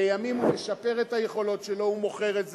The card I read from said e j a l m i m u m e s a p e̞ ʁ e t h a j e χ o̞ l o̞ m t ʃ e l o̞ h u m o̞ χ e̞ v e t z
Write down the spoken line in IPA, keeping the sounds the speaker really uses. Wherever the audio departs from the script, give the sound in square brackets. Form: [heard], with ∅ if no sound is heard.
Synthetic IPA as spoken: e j a [∅] m i m u m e [ʃ] a p e̞ ʁ e t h a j e χ o̞ l o̞ [∅] t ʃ e l o̞ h u m o̞ χ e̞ [ʁ] e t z